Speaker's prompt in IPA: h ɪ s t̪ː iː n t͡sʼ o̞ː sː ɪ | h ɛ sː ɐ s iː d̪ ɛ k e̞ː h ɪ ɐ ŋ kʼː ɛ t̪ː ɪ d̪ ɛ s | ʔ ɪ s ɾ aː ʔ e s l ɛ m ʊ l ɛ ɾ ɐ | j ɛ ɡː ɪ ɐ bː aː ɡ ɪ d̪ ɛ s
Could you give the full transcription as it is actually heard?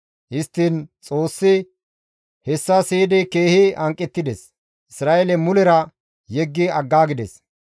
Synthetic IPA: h ɪ s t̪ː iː n t͡sʼ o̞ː sː ɪ | h ɛ sː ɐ s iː d̪ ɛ k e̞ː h ɪ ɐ ŋ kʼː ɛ t̪ː ɪ d̪ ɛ s | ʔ ɪ s ɾ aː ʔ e l ɛ m ʊ l ɛ ɾ ɐ | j ɛ ɡː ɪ ɐ ɡː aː ɡ ɪ d̪ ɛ s